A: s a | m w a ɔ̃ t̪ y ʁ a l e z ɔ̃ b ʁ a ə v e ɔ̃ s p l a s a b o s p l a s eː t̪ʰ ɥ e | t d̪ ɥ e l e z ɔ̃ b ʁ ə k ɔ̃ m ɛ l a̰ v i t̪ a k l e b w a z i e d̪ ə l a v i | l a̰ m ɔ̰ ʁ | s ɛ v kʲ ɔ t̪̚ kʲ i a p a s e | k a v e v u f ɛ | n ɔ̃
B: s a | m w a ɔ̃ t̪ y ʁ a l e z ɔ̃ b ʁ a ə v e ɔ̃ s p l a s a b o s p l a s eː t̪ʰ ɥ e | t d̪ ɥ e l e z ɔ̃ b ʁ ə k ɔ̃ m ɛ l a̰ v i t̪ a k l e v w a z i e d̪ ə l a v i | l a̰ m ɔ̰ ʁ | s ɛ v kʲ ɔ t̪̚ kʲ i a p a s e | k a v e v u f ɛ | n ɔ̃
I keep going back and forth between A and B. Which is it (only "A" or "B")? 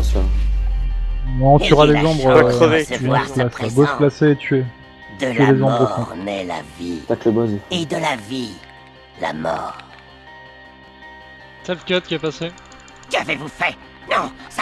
A